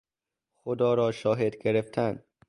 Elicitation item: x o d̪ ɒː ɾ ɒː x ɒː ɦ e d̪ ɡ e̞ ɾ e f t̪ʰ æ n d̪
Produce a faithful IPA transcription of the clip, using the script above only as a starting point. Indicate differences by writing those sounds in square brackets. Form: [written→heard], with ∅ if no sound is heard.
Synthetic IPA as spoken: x o d̪ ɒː ɾ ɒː [x→ʃ] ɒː ɦ e d̪ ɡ e̞ ɾ e f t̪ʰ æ n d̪